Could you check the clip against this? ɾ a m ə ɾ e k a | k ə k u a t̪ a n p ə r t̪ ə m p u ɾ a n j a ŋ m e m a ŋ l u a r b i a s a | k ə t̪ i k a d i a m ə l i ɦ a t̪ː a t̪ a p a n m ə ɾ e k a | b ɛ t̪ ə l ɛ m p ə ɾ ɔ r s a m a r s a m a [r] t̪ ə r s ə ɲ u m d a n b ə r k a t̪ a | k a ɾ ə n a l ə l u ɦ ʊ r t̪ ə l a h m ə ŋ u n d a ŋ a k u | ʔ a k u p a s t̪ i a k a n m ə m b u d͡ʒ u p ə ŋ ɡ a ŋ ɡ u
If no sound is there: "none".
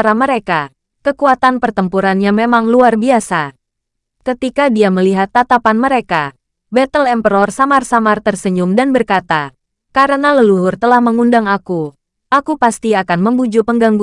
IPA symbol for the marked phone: r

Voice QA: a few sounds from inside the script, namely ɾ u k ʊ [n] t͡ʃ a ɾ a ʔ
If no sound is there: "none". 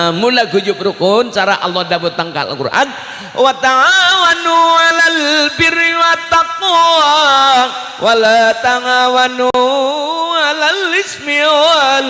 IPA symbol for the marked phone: n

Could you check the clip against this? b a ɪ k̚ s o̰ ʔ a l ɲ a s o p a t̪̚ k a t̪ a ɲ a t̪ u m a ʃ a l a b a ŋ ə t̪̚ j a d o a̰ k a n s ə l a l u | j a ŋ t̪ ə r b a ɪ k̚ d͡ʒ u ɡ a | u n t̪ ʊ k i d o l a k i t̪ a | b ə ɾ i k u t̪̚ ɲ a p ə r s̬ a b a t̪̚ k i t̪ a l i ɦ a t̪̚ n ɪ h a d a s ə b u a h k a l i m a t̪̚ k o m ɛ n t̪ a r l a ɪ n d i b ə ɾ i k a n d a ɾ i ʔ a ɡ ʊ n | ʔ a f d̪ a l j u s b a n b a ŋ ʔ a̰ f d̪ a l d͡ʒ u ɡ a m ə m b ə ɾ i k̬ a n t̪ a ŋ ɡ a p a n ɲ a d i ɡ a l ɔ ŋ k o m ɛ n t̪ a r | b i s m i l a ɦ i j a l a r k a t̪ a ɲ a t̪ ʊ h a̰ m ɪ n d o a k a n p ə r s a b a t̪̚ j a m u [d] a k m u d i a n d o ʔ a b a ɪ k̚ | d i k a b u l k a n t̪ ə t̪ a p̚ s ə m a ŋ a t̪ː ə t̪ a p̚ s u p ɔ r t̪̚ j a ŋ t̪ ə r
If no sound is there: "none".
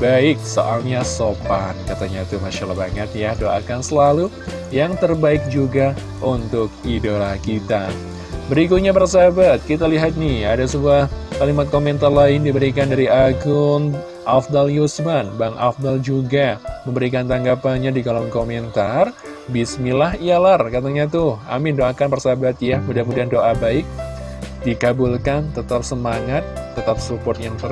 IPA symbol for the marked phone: d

